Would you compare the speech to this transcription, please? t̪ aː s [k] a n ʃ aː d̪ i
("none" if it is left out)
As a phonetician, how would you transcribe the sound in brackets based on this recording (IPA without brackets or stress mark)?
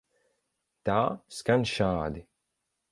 k